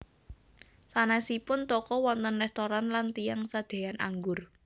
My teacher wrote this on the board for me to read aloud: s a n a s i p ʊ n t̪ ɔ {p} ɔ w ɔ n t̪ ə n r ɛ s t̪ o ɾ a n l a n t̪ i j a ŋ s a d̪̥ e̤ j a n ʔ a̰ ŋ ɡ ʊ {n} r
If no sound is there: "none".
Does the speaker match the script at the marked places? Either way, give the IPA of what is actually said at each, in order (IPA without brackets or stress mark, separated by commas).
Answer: k, none